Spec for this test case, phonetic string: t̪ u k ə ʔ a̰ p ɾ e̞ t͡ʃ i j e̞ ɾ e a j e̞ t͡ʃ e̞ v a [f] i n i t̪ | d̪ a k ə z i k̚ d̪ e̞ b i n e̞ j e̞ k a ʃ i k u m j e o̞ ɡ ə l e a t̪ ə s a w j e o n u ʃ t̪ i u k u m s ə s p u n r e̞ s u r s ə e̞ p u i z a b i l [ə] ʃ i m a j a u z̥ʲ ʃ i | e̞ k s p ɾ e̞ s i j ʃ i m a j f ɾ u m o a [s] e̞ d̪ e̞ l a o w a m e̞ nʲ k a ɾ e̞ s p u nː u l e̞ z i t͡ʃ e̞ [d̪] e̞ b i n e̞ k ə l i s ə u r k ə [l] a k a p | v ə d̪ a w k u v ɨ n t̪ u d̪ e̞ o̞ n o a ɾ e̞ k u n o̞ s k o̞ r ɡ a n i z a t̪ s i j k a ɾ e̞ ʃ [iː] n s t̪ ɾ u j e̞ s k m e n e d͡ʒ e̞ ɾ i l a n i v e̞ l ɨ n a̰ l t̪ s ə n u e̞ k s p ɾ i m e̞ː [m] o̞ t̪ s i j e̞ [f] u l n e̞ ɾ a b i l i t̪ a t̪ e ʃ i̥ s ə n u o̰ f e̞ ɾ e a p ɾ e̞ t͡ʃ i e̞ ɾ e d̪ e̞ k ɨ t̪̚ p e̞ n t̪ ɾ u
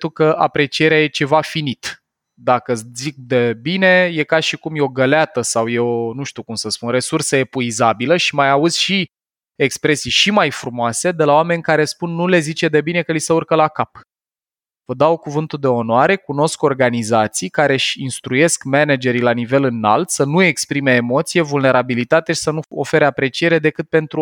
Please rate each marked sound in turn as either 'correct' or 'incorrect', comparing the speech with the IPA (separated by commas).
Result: correct, correct, correct, correct, correct, incorrect, correct, incorrect